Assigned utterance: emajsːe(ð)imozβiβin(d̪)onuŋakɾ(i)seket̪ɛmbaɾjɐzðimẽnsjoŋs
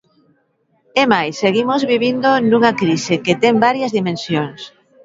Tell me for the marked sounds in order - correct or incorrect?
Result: incorrect: ɣ, correct, correct

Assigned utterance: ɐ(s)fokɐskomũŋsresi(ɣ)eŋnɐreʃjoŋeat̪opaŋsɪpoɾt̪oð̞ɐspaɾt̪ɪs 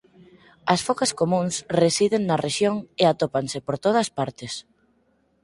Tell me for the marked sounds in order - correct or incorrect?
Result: correct, incorrect: ð

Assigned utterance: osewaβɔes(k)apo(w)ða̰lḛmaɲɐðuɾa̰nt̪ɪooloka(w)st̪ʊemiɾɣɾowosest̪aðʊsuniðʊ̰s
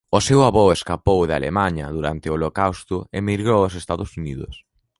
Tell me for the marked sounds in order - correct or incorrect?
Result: correct, correct, correct

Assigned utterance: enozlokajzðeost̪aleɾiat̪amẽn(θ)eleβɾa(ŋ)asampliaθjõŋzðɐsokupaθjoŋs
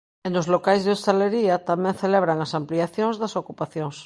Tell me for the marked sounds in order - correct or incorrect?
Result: correct, correct

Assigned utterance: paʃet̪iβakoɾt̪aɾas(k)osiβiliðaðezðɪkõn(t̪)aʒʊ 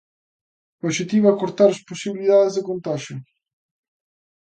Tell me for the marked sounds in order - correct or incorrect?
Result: incorrect: p, correct

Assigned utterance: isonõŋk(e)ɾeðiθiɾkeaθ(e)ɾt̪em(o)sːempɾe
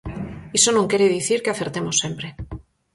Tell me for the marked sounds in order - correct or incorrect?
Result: correct, correct, correct

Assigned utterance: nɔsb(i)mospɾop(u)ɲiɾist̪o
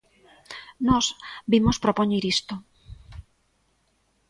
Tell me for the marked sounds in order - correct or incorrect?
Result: correct, incorrect: o

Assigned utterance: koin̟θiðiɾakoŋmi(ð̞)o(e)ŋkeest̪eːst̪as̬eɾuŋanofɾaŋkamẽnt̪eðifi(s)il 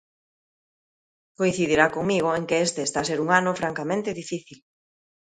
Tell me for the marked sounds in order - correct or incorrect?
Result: incorrect: ɣ̞, correct, incorrect: θ

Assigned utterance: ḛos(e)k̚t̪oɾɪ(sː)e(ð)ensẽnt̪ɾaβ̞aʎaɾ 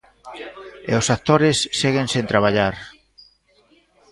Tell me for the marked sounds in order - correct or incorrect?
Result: incorrect: a, correct, incorrect: ɣ

